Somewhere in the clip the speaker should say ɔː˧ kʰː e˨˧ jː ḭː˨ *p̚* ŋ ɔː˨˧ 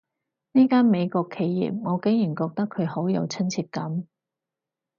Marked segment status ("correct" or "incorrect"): correct